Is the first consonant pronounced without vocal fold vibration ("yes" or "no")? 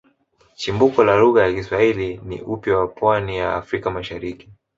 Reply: yes